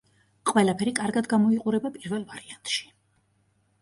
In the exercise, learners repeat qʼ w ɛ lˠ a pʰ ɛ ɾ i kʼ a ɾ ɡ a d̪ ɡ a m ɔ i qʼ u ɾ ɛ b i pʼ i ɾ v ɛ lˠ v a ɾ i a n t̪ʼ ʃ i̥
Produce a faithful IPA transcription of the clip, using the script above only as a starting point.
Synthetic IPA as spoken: qʼ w ɛ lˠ a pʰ ɛ ɾ i kʼ a ɾ ɡ a d̪ ɡ a m ɔ i qʼ u ɾ ɛ b a pʼ i ɾ v ɛ lˠ v a ɾ i a n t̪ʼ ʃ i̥